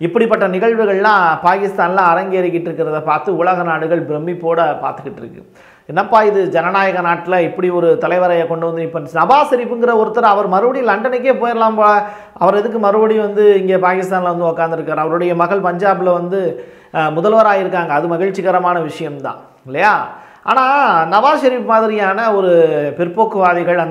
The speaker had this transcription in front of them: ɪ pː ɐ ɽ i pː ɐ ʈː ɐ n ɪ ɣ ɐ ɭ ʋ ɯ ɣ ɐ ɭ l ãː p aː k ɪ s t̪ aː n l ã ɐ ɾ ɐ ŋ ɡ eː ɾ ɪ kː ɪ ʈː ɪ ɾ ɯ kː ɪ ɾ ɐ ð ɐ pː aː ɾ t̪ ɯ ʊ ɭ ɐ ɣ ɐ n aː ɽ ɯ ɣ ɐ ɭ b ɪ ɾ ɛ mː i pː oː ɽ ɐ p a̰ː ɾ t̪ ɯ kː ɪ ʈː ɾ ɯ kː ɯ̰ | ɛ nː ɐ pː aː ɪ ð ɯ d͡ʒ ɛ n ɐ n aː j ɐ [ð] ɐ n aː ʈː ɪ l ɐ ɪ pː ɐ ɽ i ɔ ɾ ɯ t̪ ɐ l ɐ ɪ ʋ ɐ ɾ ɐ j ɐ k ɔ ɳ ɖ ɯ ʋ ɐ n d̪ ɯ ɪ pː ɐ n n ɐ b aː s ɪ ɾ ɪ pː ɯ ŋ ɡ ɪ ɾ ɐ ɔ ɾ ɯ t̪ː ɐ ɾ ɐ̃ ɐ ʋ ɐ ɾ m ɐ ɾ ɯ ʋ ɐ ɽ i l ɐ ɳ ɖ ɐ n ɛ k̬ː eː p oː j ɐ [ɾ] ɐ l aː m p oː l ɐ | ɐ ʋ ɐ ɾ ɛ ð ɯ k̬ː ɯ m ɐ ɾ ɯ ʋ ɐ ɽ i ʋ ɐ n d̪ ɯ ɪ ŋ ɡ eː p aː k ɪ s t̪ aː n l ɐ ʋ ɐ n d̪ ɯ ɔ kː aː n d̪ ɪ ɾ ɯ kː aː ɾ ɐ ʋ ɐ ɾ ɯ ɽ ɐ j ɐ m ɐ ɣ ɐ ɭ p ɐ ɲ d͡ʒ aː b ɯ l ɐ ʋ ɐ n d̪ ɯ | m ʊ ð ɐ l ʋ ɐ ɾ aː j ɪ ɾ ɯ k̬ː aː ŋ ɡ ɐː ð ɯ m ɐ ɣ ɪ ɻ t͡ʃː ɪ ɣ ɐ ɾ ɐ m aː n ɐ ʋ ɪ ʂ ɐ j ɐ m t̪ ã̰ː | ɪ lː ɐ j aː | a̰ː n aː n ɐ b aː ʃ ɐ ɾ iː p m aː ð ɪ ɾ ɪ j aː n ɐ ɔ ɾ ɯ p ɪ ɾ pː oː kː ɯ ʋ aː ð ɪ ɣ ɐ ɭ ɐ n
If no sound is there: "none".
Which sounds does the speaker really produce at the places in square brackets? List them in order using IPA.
ɣ, ɾ

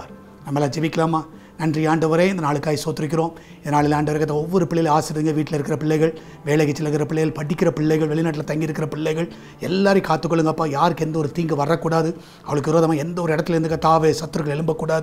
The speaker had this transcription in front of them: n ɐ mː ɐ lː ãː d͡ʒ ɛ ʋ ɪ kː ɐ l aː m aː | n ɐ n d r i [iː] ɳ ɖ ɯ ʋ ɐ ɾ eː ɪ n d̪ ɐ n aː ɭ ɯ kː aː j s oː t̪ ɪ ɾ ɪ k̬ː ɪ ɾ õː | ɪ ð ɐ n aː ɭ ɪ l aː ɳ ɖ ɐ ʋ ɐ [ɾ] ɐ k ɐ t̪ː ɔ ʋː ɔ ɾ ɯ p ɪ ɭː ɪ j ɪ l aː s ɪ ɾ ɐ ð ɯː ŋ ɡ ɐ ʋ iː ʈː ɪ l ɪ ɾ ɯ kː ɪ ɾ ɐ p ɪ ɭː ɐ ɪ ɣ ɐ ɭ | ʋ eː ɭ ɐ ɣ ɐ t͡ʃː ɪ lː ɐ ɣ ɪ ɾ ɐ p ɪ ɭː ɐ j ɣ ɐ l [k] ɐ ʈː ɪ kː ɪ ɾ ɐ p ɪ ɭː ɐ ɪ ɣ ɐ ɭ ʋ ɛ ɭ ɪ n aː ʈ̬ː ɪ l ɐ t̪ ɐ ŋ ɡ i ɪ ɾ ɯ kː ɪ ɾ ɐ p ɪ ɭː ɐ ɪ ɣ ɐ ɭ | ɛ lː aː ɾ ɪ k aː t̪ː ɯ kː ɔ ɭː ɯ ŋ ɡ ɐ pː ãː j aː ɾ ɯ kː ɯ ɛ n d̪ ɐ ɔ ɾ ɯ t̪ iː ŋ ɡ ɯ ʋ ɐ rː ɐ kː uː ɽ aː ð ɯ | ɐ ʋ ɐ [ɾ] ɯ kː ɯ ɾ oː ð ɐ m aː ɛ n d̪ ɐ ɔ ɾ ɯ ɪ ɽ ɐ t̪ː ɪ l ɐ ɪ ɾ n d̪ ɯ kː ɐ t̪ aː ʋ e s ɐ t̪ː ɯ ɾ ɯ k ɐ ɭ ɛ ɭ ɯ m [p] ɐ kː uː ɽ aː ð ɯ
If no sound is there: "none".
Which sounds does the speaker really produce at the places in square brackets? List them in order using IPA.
aː, ɾ, p, ɭ, b

